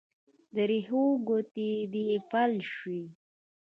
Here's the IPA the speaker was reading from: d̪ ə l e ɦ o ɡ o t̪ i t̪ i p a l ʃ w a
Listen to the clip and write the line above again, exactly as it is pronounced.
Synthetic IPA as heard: d̪ ə ɾ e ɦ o ɡ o t̪ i d̪ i p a l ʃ w i

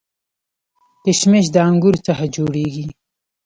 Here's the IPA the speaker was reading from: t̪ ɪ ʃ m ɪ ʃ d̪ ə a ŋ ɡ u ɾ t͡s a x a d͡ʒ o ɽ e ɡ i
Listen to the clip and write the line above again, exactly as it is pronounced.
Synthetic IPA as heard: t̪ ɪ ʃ m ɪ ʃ d̪ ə a ŋ ɡ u ɾ t͡s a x a d͡ʒ o ɽ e ɡ i

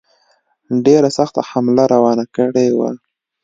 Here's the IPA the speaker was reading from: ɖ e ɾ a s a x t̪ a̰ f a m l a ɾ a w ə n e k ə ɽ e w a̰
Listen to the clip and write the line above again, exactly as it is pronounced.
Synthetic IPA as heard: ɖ e ɾ a s a x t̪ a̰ h a m l a ɾ a w ɑ n a k ə ɽ e w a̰

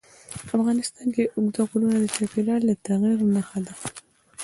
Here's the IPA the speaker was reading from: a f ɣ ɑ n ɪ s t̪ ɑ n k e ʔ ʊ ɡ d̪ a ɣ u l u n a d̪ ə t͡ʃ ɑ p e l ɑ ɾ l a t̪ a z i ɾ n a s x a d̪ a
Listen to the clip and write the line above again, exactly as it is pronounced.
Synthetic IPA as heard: a f ɣ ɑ n ɪ s t̪ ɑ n k e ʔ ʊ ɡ d̪ a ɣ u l u n a d̪ ə t͡ʃ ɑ p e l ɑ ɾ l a t̪ a ɣ i ɾ n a x a d̪ a

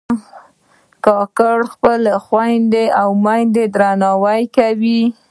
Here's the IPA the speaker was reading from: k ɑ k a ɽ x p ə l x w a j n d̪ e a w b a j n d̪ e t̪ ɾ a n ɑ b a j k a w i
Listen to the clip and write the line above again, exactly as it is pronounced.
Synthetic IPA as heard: k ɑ k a ɽ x p ə l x w a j n d̪ e a w m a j n d̪ e d̪ ɾ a n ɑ w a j k a w i

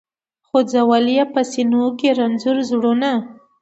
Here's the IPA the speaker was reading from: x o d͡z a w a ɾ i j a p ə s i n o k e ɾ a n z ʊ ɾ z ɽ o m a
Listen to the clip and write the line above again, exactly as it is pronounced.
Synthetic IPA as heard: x o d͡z a w a l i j a p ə s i n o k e ɾ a n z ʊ ɾ z ɽ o n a

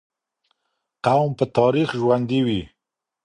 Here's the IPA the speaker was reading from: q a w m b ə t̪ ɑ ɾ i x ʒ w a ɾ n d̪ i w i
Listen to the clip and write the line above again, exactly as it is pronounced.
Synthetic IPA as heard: q a w m p ə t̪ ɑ ɾ i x ʒ w a n d̪ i w i

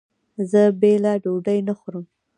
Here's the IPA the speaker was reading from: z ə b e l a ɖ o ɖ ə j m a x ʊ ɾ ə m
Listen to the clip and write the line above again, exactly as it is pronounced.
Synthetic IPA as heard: z ə b e l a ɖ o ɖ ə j n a x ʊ ɾ ə m

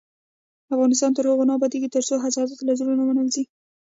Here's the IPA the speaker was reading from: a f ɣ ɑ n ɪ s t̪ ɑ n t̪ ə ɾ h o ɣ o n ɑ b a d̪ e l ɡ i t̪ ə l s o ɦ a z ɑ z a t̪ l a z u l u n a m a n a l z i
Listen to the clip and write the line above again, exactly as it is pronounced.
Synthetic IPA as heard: a f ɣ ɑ n ɪ s t̪ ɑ n t̪ ə ɾ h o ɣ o n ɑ b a d̪ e ɡ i t̪ ə ɾ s o ɦ a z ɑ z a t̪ l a z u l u n a m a n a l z i

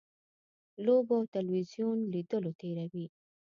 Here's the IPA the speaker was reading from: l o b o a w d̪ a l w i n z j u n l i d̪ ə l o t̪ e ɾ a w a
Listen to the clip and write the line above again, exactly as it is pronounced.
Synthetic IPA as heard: l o b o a w t̪ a l w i z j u n l i d̪ ə l o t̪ e ɾ a w i

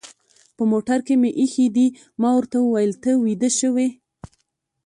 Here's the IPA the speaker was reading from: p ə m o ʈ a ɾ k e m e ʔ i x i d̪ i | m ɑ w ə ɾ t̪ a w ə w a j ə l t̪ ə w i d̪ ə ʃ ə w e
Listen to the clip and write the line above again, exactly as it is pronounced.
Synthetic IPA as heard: p ə m o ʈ a ɾ k e m e ʔ i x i d̪ i | m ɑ w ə ɾ t̪ a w ə w a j ə l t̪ ə w i d̪ ə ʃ ə w e

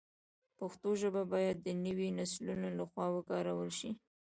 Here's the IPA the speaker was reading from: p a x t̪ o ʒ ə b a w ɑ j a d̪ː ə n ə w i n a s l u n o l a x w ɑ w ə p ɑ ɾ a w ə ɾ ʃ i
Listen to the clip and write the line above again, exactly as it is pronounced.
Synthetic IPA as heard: p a x t̪ o ʒ ə b a b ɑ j a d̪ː ə n ə w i n a s l u n o l a x w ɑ w ə k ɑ ɾ a w ə l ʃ i

